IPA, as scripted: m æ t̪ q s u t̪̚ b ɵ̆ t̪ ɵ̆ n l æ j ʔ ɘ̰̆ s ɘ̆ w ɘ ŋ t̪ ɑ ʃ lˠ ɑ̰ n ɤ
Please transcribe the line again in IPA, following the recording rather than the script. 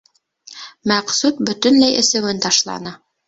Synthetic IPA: m æ q s u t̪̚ b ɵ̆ t̪ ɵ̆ n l æ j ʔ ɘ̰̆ s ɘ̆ w ɘ n t̪ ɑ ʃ lˠ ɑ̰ n ɤ